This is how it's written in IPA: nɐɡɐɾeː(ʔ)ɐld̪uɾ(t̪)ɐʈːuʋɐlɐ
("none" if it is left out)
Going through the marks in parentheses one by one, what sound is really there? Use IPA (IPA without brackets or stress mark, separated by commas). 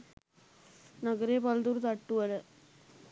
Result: p, t̪